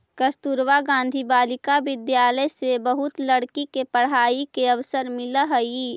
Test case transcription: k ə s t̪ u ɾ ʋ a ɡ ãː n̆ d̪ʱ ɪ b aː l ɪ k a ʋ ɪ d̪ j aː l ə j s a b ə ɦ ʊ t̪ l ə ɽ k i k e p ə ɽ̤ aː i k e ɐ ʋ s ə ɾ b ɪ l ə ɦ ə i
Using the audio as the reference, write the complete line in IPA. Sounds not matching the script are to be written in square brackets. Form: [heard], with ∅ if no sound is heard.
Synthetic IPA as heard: k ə s t̪ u ɾ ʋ a ɡ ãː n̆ d̪ʱ [i] b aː l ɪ k a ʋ ɪ d̪ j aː l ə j s [e] b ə ɦ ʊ t̪ l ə ɽ k i k e p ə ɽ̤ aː i k e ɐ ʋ s ə ɾ [m] ɪ l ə ɦ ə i